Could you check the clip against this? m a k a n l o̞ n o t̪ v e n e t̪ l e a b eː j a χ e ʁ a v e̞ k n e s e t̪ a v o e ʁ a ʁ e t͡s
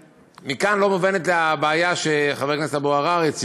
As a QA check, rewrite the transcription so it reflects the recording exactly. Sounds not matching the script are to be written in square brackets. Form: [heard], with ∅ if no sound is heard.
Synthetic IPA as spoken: m [i] k a n l o̞ [m] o [∅] v e n e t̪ l e a b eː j a [ʃ] e [χ] a v e̞ k n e s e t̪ a [b] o [a] ʁ a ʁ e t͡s